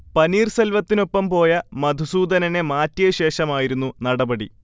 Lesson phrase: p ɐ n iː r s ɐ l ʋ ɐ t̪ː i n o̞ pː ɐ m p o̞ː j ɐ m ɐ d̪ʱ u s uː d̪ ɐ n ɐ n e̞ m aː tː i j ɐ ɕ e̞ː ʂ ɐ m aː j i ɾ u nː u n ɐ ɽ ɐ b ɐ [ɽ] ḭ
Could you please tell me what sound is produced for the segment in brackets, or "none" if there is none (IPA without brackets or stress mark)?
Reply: ɽ